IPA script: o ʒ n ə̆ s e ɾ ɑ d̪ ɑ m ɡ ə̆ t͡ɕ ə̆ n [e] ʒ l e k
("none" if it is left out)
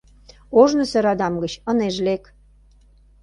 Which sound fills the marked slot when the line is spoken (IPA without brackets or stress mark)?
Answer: e